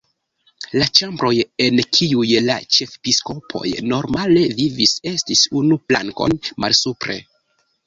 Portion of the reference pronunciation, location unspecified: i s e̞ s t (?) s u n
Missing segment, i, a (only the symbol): i